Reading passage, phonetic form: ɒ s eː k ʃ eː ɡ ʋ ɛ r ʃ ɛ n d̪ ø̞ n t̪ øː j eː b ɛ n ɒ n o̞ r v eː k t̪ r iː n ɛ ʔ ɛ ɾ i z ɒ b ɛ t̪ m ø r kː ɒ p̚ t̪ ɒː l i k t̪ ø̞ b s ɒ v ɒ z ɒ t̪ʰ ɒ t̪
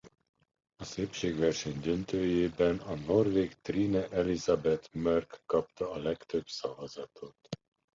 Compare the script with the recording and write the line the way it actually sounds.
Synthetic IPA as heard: ɒ s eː p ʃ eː ɡ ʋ ɛ r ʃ ɛ ɲ d̪ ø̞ n t̪ øː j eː b ɛ n ɒ n o̞ r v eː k t̪ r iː n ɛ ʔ ɛ l i z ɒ b ɛ t̪ m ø r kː ɒ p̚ t̪ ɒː l ɛ k t̪ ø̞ b s ɒ v ɒ z ɒ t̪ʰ o t̪